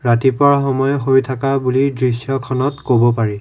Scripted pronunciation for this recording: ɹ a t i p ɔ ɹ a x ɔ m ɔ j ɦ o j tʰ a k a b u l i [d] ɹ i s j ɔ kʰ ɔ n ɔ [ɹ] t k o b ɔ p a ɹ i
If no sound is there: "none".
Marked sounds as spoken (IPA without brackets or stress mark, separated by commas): d, none